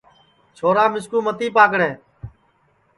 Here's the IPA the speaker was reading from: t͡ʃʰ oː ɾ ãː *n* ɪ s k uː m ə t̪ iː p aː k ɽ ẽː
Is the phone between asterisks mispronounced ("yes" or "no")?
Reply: yes